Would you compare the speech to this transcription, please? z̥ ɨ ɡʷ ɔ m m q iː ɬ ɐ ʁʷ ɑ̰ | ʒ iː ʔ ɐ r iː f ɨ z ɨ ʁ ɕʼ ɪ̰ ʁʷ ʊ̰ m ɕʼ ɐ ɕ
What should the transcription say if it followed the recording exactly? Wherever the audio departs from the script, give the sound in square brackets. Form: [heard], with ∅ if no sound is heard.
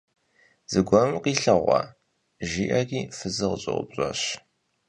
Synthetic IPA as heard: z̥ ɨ ɡʷ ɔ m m q iː ɬ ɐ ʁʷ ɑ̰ | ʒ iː ʔ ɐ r iː f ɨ z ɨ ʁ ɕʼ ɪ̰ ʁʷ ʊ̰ [b] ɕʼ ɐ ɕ